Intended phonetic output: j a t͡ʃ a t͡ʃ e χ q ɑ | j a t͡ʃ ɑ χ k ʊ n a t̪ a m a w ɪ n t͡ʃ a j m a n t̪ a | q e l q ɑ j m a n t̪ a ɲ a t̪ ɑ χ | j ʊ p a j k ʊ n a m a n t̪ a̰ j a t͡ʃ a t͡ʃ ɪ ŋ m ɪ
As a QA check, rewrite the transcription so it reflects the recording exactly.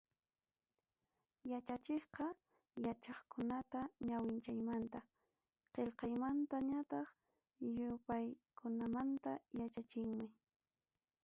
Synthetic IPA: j a t͡ʃ a t͡ʃ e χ q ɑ | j a t͡ʃ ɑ χ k ʊ n a t̪ a ɲ a w ɪ n t͡ʃ a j m a n t̪ a | q e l q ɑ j m a n t̪ a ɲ a t̪ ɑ χ | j ʊ p a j k ʊ n a m a n t̪ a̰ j a t͡ʃ a t͡ʃ ɪ ŋ m ɪ